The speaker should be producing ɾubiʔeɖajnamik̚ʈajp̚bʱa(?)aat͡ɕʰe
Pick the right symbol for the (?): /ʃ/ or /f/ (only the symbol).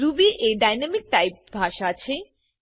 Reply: ʃ